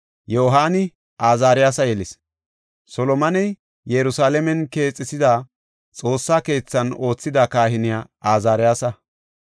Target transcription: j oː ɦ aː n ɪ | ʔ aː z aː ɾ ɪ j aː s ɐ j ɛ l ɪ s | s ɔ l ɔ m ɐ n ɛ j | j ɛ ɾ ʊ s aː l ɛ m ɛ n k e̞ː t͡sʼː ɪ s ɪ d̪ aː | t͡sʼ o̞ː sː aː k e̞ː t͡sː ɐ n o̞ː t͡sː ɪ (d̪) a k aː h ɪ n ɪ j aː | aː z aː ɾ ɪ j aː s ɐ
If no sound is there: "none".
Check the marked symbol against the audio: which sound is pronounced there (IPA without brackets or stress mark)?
d̪